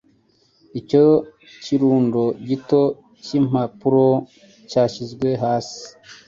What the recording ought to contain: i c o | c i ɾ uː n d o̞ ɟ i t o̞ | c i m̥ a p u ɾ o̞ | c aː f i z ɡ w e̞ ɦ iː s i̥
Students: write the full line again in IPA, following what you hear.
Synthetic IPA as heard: i c o | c i ɾ uː n d o̞ ɟ i t o̞ | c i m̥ a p u ɾ o̞ | c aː ʃ i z ɡ w e̞ ɦ aː s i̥